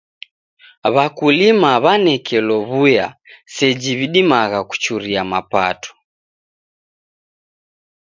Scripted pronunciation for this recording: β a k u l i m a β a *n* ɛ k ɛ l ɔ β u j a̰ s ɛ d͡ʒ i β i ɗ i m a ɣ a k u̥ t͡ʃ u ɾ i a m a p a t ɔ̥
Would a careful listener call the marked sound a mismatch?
no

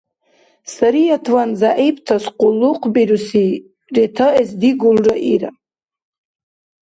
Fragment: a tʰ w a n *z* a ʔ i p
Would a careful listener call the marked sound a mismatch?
no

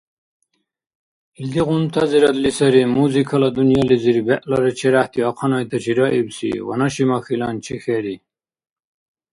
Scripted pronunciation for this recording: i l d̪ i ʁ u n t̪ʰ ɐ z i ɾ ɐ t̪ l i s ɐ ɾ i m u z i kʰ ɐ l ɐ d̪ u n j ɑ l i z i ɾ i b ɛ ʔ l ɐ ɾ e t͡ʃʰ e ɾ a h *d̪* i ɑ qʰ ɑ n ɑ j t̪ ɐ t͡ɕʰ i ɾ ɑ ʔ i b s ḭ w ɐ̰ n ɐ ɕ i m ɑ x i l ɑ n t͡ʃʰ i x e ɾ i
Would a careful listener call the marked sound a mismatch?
yes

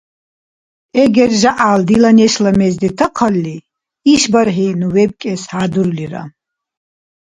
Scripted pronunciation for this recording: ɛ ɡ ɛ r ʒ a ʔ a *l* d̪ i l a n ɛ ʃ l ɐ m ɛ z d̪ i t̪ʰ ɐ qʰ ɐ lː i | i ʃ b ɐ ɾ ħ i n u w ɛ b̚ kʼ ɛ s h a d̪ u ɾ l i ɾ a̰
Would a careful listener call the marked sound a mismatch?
no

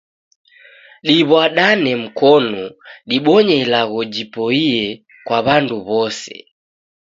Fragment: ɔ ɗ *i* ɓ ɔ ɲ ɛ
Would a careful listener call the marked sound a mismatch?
no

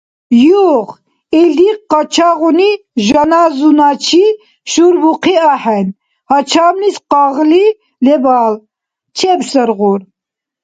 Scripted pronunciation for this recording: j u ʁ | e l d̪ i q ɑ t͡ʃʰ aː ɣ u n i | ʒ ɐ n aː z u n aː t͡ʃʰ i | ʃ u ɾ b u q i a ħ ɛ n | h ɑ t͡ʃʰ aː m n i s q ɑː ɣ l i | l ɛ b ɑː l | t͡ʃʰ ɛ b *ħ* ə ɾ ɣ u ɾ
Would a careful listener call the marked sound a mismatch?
yes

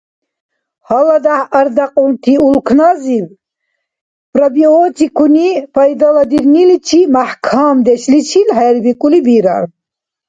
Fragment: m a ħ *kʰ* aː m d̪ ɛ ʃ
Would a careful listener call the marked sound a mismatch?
no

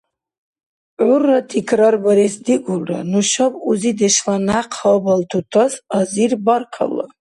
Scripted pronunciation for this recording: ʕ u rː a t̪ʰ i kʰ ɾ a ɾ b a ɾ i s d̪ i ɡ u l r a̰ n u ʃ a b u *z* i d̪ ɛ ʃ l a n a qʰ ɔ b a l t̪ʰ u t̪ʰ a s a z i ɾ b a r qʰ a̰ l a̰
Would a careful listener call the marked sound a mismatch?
no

